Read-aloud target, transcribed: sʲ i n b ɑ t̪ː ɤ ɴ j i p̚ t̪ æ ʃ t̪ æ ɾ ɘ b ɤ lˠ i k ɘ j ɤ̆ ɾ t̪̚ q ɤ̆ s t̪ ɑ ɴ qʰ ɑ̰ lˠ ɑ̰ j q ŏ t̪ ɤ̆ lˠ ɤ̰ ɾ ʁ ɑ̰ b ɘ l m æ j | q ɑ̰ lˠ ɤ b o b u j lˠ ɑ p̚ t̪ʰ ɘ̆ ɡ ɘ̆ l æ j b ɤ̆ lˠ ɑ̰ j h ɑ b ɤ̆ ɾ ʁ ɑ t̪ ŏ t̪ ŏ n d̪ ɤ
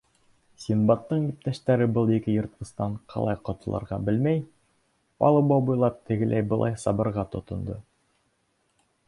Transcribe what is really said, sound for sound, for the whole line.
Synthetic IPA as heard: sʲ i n b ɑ t̪ː ɤ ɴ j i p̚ t̪ æ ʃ t̪ æ ɾ ɘ b ɤ lˠ i k ɘ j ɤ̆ ɾ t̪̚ q ɤ̆ s t̪ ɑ ɴ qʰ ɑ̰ lˠ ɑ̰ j q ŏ t̪ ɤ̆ lˠ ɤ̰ ɾ ʁ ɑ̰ b ɘ l m æ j | p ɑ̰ lˠ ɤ b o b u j lˠ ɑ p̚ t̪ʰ ɘ̆ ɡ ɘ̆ l æ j b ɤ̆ lˠ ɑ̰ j s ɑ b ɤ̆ ɾ ʁ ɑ t̪ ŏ t̪ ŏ n d̪ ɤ